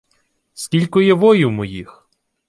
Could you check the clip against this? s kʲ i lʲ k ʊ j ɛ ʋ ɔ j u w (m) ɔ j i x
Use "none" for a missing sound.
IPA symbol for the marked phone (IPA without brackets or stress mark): m